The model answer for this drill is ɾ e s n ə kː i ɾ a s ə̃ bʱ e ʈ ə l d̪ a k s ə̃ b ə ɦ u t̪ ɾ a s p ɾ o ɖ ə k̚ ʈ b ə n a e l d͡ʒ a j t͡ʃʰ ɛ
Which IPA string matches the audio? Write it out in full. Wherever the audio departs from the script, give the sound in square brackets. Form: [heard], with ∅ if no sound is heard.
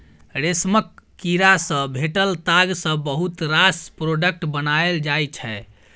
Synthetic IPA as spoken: ɾ e s [m] ə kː i ɾ a s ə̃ bʱ e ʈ ə l [t̪] a [ɡ] s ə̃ b ə ɦ u t̪ ɾ a s p ɾ o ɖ ə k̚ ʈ b ə n a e l d͡ʒ a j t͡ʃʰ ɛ